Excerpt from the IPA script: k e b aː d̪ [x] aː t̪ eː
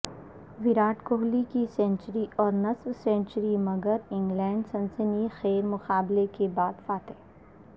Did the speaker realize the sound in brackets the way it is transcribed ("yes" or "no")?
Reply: no